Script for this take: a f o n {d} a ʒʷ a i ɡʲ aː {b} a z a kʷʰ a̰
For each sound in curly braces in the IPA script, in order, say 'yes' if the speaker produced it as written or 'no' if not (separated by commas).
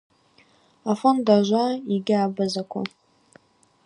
yes, yes